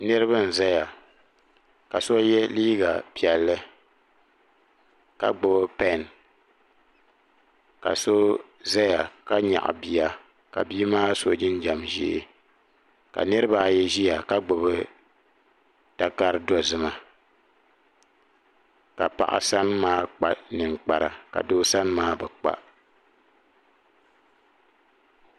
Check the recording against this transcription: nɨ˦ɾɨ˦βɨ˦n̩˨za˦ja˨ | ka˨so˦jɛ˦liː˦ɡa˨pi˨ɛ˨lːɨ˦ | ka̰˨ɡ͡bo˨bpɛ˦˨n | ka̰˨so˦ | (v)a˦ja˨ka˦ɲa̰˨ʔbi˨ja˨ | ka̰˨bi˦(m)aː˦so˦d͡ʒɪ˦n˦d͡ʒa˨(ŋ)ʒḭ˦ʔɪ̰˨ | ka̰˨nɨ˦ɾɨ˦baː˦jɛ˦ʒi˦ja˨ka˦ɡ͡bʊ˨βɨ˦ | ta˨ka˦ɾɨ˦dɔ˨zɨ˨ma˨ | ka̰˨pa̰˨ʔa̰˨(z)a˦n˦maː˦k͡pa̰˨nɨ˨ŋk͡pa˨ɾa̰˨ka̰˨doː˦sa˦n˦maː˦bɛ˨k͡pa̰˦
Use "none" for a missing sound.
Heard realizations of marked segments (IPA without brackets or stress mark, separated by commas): z, m, m, s